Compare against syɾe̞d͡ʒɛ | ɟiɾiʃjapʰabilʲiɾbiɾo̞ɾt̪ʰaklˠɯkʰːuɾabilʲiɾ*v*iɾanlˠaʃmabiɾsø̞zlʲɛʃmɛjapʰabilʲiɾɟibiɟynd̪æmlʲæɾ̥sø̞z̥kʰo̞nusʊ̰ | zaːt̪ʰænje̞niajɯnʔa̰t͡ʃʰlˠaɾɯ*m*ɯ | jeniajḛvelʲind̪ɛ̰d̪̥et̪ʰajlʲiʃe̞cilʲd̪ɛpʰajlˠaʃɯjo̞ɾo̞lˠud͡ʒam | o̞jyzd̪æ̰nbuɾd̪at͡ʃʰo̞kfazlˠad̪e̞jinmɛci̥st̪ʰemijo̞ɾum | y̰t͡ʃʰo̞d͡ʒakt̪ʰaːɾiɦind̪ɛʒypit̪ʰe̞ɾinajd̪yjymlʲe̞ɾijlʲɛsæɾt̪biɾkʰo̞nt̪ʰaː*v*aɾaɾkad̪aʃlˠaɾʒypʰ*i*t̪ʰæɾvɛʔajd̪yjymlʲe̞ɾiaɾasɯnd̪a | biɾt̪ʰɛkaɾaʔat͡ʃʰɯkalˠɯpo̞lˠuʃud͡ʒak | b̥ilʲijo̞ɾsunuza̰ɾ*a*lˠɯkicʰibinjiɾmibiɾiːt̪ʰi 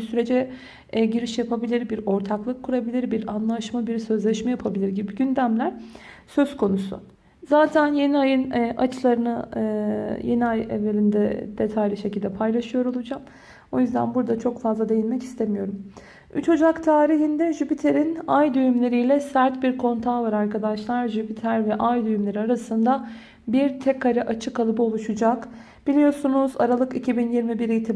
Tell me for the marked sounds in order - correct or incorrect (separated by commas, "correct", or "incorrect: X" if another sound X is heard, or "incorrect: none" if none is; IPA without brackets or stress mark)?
incorrect: b, incorrect: n, correct, correct, correct